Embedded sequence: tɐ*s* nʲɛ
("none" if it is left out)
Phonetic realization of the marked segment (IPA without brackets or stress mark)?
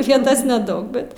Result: s